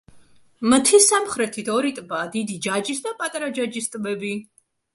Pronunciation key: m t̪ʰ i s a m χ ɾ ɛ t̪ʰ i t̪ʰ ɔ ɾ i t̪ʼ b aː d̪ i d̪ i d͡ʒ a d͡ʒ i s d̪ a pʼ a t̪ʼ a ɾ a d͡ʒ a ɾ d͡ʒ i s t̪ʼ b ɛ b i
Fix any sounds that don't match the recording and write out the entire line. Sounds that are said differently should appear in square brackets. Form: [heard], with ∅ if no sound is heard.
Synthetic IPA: m t̪ʰ i s a m χ ɾ ɛ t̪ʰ i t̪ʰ ɔ ɾ i t̪ʼ b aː d̪ i d̪ i d͡ʒ a d͡ʒ i s d̪ a pʼ a t̪ʼ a ɾ a d͡ʒ a [∅] d͡ʒ i s t̪ʼ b ɛ b i